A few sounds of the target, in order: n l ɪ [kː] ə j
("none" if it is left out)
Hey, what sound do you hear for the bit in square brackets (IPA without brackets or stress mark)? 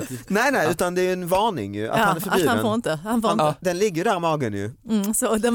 ɡː